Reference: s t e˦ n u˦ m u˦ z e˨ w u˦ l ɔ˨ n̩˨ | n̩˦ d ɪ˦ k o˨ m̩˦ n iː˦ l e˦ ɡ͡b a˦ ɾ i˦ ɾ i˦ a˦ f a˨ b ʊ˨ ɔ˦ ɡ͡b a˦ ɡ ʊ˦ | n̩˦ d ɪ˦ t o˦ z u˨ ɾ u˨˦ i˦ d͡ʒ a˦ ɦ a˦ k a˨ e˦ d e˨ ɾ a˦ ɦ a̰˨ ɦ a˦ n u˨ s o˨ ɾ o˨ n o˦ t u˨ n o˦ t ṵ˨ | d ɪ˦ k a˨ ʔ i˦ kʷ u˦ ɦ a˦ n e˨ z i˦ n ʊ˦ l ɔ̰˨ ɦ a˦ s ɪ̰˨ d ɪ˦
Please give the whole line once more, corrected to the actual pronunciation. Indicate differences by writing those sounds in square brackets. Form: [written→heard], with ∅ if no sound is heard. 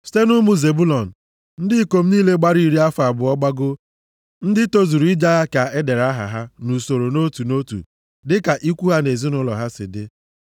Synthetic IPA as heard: s t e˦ n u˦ m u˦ z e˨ [w→b] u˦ l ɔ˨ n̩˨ | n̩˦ d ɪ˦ k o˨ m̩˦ n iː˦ l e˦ ɡ͡b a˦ ɾ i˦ ɾ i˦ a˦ f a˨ b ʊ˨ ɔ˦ ɡ͡b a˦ ɡ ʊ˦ | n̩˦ d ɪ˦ t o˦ z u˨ ɾ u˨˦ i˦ d͡ʒ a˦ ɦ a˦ k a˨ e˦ d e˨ ɾ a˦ ɦ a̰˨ ɦ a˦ n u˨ s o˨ ɾ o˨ n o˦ t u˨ n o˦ t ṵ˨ | d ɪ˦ k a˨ ʔ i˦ kʷ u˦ ɦ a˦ n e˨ z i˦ n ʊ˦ l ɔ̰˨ ɦ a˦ s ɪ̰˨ d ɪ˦